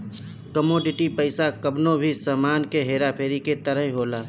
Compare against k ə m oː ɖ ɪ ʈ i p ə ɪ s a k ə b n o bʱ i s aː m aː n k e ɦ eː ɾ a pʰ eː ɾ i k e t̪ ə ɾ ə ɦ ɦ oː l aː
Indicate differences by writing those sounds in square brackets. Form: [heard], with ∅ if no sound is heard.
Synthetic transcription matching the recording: k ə m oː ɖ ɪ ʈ i p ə ɪ s a k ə b n o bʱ i s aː m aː n k e ɦ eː ɾ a pʰ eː ɾ i k e t̪ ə ɾ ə ɦ ɦ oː l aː